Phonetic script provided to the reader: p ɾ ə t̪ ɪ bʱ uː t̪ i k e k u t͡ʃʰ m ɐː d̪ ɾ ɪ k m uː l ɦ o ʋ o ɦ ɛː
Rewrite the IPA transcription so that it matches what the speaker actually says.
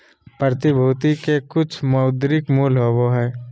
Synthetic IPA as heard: p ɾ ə t̪ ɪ bʱ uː t̪ i k e k ʊ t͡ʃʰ m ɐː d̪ ɾ ɪ k m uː l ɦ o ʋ o ɦ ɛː